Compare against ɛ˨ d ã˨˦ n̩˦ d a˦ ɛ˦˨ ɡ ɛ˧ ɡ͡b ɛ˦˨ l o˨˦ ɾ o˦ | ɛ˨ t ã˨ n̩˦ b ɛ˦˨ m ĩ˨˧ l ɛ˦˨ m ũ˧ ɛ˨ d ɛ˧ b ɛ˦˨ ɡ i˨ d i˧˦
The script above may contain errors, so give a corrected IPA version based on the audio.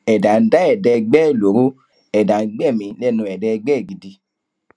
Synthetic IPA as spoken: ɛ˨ d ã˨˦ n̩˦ d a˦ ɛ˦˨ d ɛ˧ ɡ͡b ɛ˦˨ l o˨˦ ɾ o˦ | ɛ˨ d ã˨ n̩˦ ɡ͡b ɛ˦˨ m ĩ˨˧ l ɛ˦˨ n ũ˧ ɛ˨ d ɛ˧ ɡ͡b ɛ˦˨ ɡ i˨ d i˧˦